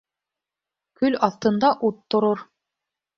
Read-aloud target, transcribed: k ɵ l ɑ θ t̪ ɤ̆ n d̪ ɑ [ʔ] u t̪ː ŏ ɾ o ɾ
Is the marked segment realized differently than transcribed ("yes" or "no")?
no